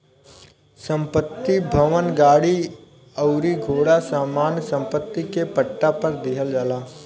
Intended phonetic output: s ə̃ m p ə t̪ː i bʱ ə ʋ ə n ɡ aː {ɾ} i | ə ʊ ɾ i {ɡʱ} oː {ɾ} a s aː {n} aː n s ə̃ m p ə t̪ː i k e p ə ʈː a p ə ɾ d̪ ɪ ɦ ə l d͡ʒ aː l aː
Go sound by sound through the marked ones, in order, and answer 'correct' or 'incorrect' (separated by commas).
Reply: incorrect, correct, incorrect, incorrect